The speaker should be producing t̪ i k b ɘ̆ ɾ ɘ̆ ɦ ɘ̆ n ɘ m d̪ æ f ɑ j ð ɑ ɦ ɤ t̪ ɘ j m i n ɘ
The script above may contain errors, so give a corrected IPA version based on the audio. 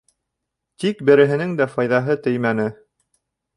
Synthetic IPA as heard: t̪ i k b ɘ̆ ɾ ɘ̆ ɦ ɘ̆ n ɘ ŋ d̪ æ f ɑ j ð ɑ ɦ ɤ t̪ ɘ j m æ n ɘ